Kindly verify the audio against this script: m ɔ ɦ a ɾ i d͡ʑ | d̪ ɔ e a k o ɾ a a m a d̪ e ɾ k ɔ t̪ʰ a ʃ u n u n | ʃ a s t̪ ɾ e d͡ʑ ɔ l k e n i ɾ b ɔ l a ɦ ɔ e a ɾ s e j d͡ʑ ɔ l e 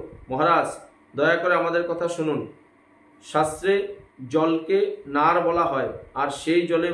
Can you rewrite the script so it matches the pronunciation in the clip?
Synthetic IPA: m ɔ ɦ a ɾ a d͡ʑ | d̪ ɔ e a k o ɾ e a m a d̪ e ɾ k ɔ t̪ʰ a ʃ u n u n | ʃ a s t̪ ɾ e d͡ʑ ɔ l k e n a ɾ b ɔ l a ɦ ɔ e a ɾ ʃ e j d͡ʑ ɔ l e